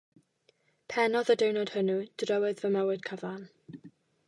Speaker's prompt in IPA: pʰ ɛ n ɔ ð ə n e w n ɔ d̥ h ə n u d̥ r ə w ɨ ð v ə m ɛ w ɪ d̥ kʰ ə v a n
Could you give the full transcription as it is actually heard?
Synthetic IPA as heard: pʰ ɛ n ɔ ð ə d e w n ɔ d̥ h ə n u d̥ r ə w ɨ ð v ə m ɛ w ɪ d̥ kʰ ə v a n